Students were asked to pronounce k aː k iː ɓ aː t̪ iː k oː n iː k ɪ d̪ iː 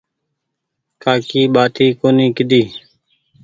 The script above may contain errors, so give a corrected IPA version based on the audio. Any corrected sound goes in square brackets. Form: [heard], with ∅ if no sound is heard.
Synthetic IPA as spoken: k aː k iː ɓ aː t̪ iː k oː n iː k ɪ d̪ iː